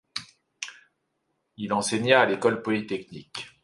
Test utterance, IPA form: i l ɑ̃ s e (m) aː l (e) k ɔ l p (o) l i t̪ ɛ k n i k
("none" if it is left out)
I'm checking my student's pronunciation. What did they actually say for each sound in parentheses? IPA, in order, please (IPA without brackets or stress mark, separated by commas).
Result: ɲ, e, ɔ